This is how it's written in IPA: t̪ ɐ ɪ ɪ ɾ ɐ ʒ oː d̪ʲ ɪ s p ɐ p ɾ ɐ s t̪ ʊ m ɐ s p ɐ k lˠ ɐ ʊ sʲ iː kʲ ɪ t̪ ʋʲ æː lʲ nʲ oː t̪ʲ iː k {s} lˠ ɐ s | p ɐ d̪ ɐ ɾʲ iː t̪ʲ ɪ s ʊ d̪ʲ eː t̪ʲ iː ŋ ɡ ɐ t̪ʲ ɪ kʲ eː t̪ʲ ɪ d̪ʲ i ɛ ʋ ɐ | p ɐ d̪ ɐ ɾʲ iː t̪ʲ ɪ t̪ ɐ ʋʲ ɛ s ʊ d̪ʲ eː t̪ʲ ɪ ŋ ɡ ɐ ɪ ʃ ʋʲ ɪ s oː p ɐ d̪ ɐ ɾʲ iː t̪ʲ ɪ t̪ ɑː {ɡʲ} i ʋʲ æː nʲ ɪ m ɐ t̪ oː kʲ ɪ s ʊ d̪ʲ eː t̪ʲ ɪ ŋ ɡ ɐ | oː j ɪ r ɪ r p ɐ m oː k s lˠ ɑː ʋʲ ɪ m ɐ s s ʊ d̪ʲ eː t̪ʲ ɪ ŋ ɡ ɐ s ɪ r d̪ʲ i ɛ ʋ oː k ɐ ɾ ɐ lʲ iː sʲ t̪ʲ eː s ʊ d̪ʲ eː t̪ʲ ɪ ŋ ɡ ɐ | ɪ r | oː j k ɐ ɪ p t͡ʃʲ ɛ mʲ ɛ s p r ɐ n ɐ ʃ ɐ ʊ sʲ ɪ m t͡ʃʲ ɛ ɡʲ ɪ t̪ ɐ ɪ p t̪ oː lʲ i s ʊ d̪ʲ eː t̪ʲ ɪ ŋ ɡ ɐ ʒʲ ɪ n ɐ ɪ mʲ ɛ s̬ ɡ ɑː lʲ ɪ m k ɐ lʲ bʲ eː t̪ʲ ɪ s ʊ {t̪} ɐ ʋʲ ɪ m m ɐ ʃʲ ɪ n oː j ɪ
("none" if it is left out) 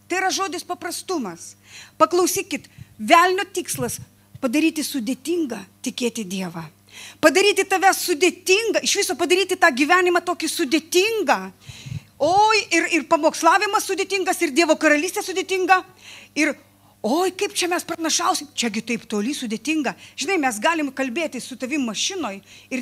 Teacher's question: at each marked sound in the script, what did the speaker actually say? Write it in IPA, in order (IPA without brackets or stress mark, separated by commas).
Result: s, ɡʲ, t̪